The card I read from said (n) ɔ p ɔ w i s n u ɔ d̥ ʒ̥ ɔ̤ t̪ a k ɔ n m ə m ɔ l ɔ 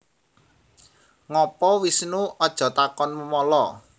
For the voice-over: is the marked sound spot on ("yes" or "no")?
no